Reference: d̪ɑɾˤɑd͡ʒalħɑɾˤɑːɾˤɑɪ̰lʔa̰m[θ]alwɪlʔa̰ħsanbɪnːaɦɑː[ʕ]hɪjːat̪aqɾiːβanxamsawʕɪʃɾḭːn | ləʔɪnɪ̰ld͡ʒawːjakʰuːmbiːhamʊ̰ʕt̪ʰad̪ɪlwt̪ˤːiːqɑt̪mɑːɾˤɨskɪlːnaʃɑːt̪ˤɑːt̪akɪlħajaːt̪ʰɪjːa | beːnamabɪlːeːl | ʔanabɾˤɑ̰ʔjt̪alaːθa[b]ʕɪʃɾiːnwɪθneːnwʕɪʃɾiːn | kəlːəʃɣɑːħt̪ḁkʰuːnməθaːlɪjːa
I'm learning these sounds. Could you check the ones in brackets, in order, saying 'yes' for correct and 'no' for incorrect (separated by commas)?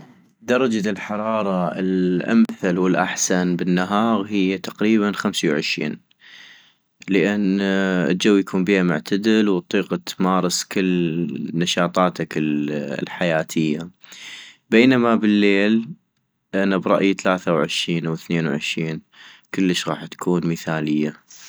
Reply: yes, no, no